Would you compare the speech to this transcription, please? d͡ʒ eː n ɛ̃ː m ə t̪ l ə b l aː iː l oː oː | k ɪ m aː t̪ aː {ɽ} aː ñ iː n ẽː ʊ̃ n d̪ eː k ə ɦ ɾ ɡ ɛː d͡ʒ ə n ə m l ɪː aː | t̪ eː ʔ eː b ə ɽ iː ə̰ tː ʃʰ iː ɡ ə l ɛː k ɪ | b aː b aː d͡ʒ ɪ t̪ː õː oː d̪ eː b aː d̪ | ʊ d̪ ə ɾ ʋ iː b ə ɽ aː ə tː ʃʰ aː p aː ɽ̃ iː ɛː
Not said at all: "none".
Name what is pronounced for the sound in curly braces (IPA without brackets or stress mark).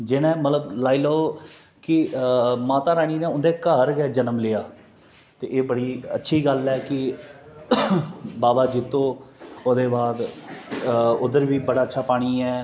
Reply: ɾ